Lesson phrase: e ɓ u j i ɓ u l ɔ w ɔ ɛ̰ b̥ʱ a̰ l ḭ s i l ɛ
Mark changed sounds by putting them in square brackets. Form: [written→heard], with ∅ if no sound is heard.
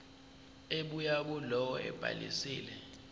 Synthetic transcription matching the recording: e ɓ u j [i→a] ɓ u l ɔ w ɔ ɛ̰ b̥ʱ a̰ l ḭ s [i→iː] l ɛ